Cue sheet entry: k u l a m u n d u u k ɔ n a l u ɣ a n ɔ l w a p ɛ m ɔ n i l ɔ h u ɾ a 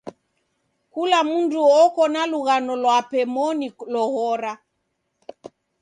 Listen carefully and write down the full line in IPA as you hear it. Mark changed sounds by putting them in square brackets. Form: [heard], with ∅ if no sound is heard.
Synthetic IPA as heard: k u l a m u n d u [ɔ] k ɔ n a l u ɣ a n ɔ l w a p ɛ m ɔ n i l ɔ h [ɔ] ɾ a